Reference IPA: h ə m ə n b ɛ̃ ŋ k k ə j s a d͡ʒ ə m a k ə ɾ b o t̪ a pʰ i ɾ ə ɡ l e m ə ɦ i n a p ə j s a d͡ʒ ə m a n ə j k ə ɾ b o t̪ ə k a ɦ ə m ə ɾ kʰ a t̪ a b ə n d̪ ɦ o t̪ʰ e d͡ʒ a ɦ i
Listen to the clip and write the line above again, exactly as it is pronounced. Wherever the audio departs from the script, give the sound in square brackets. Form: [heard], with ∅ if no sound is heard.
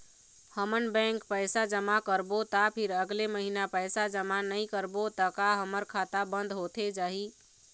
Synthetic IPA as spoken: h ə m ə n b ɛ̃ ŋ k [p] ə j s a d͡ʒ ə m a k ə ɾ b o t̪ a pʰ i ɾ ə ɡ l e m ə ɦ i n a p ə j s a d͡ʒ ə m a n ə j k ə ɾ b o t̪ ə k a ɦ ə m ə ɾ kʰ a t̪ a b ə n d̪ ɦ o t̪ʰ e d͡ʒ a ɦ i